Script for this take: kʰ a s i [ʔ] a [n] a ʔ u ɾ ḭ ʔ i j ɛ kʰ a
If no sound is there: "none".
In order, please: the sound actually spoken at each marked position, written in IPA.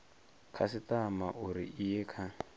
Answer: t, m

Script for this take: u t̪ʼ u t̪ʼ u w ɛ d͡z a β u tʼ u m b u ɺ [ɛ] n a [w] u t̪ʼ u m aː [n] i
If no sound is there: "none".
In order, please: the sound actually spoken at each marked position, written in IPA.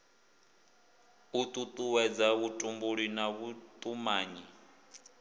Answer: i, β, ɲ

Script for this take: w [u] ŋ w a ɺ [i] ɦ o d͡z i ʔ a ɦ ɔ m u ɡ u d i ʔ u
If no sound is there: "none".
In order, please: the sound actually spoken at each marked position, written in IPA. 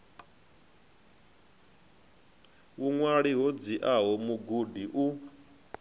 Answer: u, i

